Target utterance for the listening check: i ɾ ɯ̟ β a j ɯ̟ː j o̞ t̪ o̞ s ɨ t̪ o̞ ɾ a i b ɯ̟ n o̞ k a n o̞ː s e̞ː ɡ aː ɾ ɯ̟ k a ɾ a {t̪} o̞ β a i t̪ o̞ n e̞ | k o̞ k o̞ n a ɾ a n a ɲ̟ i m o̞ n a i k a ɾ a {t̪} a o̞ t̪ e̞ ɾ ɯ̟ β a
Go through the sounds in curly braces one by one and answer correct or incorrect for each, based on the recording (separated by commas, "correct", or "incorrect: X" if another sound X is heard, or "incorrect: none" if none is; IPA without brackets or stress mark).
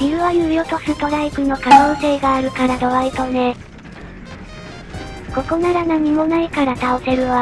incorrect: d̪, correct